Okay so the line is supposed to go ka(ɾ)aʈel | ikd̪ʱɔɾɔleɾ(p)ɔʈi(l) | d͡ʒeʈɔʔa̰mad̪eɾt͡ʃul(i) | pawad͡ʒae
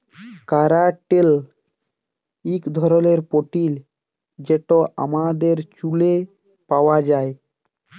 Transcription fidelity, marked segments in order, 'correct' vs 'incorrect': correct, correct, correct, incorrect

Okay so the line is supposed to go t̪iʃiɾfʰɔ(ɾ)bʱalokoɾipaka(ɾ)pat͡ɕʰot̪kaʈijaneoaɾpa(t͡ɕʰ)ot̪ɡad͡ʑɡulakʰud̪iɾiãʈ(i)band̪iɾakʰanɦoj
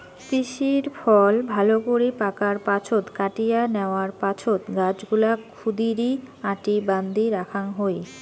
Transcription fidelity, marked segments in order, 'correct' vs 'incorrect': incorrect, correct, correct, correct

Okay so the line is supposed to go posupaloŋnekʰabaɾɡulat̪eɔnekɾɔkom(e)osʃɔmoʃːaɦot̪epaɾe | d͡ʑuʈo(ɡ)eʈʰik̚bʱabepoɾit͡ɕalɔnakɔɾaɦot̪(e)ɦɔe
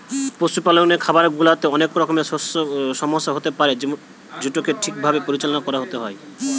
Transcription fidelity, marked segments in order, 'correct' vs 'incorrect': correct, incorrect, correct

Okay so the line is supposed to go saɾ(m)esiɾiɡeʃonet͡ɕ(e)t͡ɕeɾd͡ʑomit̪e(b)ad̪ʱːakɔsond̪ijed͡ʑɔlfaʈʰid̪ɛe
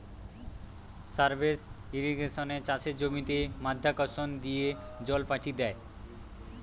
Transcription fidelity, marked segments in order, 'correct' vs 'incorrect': incorrect, incorrect, incorrect

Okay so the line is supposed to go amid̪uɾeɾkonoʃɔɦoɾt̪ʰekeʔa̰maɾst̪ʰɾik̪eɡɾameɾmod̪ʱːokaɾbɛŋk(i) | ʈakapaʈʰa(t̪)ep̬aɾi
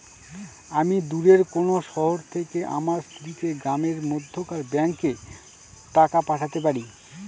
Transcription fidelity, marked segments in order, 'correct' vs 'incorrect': incorrect, correct

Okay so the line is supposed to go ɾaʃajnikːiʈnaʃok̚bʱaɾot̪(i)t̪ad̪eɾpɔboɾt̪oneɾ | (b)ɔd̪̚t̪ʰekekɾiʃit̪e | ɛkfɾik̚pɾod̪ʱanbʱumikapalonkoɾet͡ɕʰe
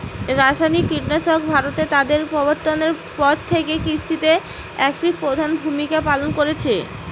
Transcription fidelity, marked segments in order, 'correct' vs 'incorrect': incorrect, incorrect

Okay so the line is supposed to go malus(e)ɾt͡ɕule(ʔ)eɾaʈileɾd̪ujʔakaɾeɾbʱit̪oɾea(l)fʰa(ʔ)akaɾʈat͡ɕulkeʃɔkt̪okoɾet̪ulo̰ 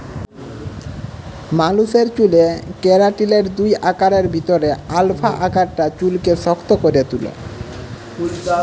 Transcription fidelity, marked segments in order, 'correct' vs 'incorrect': correct, incorrect, correct, correct

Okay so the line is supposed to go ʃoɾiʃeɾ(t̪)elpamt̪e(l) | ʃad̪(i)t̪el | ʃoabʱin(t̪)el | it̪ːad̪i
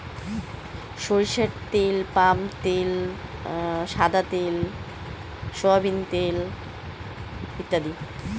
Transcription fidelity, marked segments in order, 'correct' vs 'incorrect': correct, correct, incorrect, correct

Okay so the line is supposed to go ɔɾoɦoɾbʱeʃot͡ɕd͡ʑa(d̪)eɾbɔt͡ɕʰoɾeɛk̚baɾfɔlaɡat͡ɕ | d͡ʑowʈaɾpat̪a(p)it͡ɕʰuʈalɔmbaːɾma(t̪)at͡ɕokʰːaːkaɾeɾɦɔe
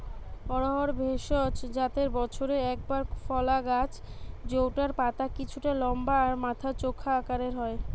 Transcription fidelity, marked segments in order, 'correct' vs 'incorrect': incorrect, incorrect, incorrect

